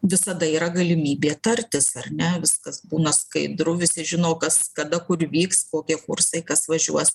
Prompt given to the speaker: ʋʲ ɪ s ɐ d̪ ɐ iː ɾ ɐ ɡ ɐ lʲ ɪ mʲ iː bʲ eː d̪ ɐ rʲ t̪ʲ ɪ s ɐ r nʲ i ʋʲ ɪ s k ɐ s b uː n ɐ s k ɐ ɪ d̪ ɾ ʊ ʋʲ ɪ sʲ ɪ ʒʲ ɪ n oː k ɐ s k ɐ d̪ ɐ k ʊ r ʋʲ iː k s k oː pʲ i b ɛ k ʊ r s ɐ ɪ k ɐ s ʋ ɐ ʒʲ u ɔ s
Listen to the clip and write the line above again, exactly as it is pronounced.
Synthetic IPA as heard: ʋʲ ɪ s ɐ d̪ ɐ iː ɾ ɐ ɡ ɐ lʲ ɪ mʲ iː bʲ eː t̪ ɐ rʲ t̪ʲ ɪ s ɐ r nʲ ɛ ʋʲ ɪ s k ɐ s b uː n ɐ s k ɐ ɪ d̪ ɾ ʊ ʋʲ ɪ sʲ ɪ ʒʲ ɪ n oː k ɐ s k ɐ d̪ ɐ k ʊ r ʋʲ iː k s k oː kʲ i ɛ k ʊ r s ɐ ɪ k ɐ s ʋ ɐ ʒʲ u ɔ s